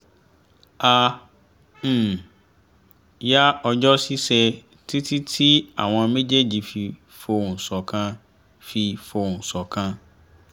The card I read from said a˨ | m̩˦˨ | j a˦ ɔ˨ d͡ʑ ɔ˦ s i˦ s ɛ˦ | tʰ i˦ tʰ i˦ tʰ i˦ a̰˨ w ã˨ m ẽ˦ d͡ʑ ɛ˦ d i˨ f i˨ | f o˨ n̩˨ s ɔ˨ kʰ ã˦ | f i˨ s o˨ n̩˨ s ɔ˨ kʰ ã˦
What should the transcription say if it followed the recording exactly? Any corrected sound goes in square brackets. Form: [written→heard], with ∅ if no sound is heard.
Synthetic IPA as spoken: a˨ | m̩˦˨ | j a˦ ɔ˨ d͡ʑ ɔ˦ s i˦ s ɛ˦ | tʰ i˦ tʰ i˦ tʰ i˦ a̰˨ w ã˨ m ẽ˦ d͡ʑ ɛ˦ [d→d͡ʑ] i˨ f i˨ | f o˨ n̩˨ s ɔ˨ kʰ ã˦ | f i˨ [s→f] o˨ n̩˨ s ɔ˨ kʰ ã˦